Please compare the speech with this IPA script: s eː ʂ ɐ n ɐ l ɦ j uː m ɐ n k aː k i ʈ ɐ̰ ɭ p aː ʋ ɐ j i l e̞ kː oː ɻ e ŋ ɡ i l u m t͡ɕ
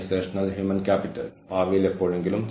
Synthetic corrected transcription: s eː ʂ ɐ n ɐ l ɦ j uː m ɐ n k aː p i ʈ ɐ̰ l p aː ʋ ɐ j i l e̞ pː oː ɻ e ŋ ɡ i l u m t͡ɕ

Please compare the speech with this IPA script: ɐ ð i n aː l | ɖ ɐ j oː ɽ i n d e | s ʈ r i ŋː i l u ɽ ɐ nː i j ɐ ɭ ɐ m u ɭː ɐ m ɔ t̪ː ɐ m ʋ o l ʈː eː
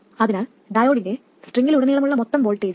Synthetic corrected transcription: ɐ ð i n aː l | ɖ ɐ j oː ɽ i n d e | s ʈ r i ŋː i l u ɽ ɐ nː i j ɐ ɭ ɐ m u ɭː ɐ m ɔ t̪ː ɐ m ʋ o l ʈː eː

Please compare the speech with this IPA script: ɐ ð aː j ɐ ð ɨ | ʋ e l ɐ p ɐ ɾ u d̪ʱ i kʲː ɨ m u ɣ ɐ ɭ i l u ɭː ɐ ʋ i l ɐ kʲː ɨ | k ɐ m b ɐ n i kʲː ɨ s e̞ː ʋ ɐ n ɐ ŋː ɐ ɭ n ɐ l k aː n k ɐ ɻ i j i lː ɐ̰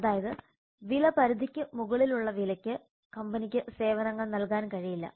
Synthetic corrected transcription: ɐ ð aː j ɐ ð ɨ | ʋ i l ɐ p ɐ ɾ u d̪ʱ i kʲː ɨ m u ɣ ɐ ɭ i l u ɭː ɐ ʋ i l ɐ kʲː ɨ | k ɐ m b ɐ n i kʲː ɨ s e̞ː ʋ ɐ n ɐ ŋː ɐ ɭ n ɐ l k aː n k ɐ ɻ i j i lː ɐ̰

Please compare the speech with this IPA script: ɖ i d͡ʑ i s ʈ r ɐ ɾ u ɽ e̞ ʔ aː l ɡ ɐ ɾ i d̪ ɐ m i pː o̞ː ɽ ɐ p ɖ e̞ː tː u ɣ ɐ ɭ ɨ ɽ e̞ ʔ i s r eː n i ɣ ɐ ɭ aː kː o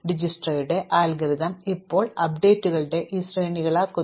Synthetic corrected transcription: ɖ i d͡ʑ i s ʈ r ɐ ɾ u ɽ e̞ ʔ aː l ɡ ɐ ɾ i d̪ ɐ m i pː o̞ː ɭ ɐ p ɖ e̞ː tː u ɣ ɐ ɭ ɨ ɽ e̞ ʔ i s r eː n i ɣ ɐ ɭ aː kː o

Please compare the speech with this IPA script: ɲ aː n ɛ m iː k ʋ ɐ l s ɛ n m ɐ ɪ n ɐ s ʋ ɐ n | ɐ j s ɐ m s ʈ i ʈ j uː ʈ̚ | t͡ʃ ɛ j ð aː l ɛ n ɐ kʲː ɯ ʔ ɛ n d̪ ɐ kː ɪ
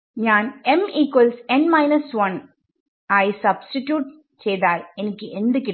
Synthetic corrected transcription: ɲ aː n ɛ m iː k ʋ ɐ l s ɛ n m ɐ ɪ n ɐ s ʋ ɐ n | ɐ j s ɐ b s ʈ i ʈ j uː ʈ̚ | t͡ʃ ɛ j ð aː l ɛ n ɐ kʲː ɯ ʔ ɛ n d̪ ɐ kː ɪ

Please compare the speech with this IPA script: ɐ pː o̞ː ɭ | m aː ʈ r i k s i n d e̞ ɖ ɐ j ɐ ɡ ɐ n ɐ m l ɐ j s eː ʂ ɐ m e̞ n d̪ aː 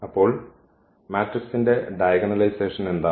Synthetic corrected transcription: ɐ pː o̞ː ɭ | m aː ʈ r i k s i n d e̞ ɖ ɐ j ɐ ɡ ɐ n ɐ l ɐ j s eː ʂ ɐ n e̞ n d̪ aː

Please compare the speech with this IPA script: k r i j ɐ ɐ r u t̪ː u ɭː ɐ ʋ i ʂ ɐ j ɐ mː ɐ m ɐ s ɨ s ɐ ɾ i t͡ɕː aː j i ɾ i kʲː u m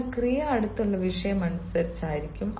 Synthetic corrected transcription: k r i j ɐ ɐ ɽ u t̪ː u ɭː ɐ ʋ i ʂ ɐ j ɐ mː ɐ n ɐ s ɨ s ɐ ɾ i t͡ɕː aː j i ɾ i kʲː u m

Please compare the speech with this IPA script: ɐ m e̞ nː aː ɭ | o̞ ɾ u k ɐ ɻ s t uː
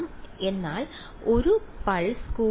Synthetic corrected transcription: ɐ m e̞ nː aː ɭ | o̞ ɾ u p ɐ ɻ s k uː

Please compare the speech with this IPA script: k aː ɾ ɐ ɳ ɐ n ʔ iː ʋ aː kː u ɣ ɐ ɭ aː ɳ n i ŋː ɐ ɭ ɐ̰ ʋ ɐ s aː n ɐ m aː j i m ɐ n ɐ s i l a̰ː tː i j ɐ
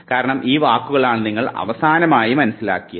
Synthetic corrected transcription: k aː ɾ ɐ ɳ ɐ m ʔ iː ʋ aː kː u ɣ ɐ ɭ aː ɳ n i ŋː ɐ ɭ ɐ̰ ʋ ɐ s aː n ɐ m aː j i m ɐ n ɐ s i l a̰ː kː i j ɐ

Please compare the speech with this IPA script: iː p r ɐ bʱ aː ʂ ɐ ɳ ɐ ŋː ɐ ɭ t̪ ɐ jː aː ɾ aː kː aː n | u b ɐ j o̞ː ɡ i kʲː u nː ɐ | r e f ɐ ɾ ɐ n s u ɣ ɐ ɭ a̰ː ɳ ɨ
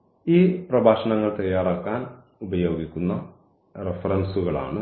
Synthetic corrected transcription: iː p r ɐ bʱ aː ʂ ɐ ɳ ɐ ŋː ɐ ɭ t̪ ɐ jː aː ɾ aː kː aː n | u b ɐ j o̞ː ɡ i kʲː u nː ɐ | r e f ɐ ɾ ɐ n s u ɣ ɐ ɭ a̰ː ɳ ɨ

